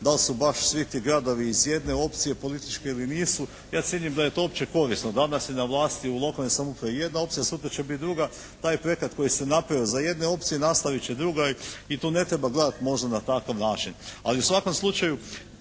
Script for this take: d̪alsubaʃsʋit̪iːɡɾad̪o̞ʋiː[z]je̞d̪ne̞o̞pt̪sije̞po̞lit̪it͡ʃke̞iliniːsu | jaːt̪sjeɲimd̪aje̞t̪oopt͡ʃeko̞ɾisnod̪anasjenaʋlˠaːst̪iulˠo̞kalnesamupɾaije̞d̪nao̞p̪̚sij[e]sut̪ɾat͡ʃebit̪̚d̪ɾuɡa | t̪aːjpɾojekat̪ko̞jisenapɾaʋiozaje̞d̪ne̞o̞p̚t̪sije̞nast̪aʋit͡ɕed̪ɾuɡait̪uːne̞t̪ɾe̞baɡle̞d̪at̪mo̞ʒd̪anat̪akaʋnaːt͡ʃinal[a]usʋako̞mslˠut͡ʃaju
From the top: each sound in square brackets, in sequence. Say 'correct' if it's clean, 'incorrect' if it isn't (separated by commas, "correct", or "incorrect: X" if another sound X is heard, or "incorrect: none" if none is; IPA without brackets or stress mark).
correct, incorrect: a, incorrect: i